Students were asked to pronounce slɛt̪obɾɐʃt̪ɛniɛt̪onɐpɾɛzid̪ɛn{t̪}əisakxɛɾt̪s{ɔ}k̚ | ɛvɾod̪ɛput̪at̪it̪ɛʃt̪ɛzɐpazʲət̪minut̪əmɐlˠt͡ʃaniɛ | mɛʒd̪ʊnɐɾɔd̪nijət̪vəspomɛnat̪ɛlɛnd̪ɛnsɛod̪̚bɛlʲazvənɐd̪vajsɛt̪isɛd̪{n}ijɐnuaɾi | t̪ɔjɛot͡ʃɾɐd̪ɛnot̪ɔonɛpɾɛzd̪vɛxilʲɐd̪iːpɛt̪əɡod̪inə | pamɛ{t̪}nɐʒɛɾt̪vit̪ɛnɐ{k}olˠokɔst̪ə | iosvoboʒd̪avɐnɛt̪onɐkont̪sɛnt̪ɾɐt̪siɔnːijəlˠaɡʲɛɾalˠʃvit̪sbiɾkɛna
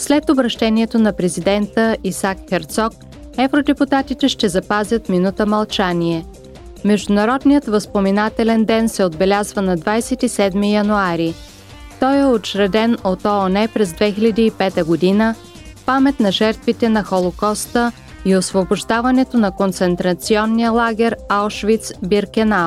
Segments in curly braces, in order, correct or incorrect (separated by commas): correct, correct, incorrect, correct, incorrect